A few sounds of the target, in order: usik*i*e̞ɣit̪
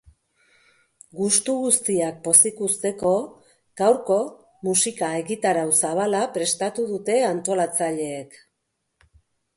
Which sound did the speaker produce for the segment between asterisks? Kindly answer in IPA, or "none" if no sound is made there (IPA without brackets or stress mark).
a